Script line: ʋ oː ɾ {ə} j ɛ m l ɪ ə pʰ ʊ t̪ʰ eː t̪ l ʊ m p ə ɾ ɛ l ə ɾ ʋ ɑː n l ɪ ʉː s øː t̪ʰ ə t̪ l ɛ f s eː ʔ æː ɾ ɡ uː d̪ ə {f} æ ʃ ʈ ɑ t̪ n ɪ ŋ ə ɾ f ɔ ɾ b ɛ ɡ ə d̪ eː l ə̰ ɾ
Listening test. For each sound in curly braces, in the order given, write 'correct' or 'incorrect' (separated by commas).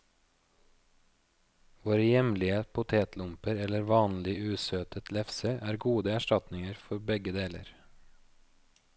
correct, incorrect